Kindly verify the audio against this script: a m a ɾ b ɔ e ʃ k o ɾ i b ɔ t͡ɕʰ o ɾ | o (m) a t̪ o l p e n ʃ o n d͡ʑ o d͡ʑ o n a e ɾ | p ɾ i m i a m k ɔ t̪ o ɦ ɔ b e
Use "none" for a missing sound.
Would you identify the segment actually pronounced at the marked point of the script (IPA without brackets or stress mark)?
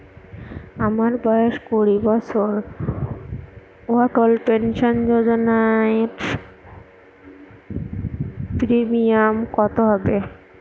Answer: none